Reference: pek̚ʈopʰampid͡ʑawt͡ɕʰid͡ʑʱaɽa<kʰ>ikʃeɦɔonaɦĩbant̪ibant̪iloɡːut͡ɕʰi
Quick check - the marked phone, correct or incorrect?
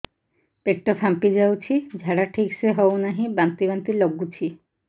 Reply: incorrect: ʈʰ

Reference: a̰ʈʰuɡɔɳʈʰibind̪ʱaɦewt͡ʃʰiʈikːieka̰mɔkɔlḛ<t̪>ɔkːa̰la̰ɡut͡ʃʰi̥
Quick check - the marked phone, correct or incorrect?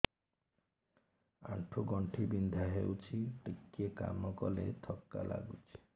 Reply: incorrect: t̪ʰ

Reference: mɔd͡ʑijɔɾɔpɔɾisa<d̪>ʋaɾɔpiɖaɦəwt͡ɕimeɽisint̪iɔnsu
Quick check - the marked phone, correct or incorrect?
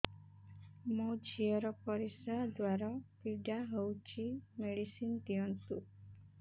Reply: correct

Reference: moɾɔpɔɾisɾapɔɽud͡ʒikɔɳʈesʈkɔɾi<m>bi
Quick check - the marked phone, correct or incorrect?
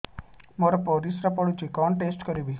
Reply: incorrect: none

